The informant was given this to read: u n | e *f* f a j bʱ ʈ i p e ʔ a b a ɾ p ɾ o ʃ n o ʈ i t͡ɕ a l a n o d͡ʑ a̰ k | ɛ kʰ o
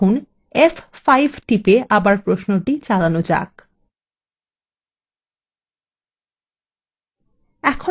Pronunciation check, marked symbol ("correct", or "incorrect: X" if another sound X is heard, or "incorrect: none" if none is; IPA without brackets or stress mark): correct